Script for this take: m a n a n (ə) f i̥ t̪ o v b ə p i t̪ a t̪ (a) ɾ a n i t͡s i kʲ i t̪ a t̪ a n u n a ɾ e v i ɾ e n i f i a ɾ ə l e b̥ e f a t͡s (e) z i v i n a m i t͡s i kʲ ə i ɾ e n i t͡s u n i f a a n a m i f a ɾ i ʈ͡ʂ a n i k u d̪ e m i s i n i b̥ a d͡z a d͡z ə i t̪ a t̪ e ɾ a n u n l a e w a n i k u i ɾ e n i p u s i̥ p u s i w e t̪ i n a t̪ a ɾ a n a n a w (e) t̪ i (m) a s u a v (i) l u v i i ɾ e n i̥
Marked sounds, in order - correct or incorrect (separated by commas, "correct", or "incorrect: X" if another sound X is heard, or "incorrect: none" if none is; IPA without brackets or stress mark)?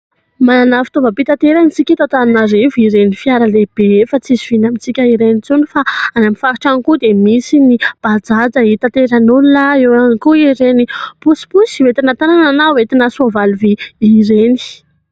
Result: incorrect: a, incorrect: e, incorrect: i, correct, incorrect: n, incorrect: a